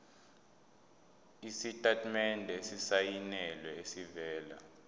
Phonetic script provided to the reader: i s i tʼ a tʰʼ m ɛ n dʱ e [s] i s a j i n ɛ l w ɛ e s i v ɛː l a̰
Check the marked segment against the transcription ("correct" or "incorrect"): correct